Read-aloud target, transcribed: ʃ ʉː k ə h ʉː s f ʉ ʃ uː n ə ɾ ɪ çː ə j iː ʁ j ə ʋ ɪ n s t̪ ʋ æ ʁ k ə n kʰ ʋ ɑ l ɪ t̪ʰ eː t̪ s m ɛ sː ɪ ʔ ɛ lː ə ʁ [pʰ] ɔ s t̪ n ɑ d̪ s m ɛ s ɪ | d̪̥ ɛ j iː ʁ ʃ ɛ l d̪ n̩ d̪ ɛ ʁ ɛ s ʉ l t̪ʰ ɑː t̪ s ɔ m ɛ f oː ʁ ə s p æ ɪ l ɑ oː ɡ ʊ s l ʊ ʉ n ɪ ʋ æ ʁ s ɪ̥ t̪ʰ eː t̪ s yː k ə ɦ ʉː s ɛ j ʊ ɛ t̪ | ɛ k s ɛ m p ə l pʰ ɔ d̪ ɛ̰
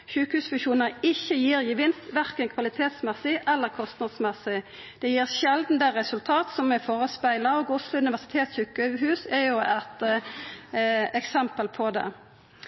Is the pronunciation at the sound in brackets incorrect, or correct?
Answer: incorrect